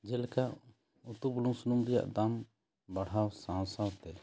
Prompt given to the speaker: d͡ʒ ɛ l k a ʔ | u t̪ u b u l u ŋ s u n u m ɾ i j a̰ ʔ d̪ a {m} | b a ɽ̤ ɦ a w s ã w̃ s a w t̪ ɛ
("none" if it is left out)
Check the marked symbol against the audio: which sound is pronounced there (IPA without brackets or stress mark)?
m